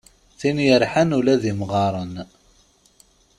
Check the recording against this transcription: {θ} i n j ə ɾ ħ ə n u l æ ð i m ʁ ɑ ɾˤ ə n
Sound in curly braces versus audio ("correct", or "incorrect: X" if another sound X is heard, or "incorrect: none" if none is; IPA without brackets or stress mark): correct